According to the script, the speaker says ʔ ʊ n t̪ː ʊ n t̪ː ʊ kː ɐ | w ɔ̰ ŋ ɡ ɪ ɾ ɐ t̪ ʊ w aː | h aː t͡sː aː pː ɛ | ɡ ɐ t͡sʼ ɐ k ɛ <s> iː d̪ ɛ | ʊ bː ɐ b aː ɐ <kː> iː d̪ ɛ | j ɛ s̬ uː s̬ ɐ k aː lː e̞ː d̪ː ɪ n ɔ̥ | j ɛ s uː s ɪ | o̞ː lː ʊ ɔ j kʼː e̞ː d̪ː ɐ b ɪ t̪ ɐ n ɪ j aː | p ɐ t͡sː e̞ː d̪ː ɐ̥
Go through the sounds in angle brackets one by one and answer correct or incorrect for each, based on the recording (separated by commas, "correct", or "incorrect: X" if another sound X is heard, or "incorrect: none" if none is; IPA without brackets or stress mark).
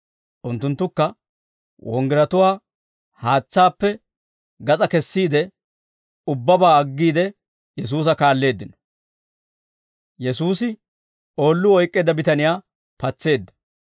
incorrect: sː, incorrect: ɡː